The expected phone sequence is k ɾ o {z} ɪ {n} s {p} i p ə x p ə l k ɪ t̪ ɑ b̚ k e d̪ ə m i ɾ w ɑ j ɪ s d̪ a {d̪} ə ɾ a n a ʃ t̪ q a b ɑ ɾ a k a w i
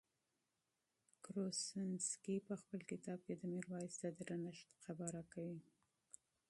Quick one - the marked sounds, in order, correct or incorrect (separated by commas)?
incorrect, correct, incorrect, correct